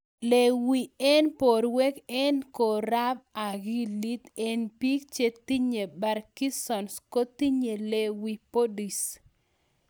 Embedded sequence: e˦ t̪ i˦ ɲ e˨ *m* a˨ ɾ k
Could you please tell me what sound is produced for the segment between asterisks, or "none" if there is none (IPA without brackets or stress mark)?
b